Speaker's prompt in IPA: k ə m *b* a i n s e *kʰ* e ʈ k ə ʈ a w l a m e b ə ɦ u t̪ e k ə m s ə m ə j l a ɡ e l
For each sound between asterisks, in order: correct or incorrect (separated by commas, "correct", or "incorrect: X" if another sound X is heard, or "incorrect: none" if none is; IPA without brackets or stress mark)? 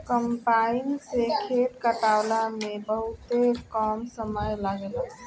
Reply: incorrect: p, correct